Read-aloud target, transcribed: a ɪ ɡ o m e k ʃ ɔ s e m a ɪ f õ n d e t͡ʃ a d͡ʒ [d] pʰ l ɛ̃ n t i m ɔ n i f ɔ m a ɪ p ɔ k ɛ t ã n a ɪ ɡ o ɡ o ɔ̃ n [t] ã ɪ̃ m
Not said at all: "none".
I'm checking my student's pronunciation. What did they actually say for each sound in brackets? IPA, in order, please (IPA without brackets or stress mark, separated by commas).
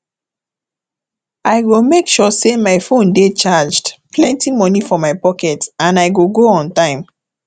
d, t